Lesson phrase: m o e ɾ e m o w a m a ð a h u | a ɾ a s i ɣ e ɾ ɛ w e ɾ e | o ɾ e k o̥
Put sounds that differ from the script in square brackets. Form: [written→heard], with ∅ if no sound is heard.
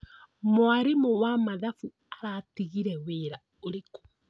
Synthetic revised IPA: m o [e→a] ɾ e m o w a m a ð a [h→f] u | a ɾ a [s→t] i ɣ [e→i] ɾ ɛ w e ɾ [e→a] | o ɾ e k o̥